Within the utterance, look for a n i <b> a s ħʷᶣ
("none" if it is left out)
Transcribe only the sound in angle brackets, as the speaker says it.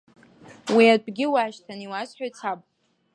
w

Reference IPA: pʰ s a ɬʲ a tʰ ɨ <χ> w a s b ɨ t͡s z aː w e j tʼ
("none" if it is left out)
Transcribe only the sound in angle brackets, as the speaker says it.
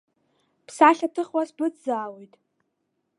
χ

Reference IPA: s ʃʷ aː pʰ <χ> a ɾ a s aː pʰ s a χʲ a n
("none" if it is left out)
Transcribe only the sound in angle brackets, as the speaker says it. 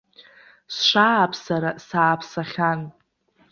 s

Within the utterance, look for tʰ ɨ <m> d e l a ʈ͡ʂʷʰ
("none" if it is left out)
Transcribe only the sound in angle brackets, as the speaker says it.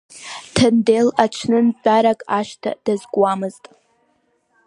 n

